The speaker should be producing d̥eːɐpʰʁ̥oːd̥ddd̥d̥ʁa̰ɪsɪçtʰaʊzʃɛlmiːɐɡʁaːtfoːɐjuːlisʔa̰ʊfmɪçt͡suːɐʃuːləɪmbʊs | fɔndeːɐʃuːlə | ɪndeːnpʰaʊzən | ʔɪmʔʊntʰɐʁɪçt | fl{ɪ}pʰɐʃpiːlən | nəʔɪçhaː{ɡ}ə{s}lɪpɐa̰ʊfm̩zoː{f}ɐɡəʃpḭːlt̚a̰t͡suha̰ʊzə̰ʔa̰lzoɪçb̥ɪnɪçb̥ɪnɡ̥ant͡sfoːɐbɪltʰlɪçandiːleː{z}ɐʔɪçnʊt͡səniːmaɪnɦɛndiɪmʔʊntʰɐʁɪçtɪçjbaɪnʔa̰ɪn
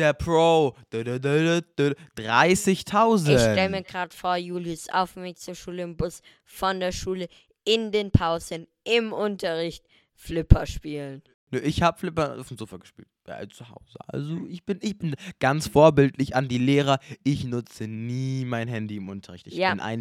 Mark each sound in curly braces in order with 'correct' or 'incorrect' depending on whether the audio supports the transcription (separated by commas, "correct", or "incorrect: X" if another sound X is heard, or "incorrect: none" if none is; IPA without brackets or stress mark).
correct, incorrect: b, incorrect: f, correct, incorrect: ʁ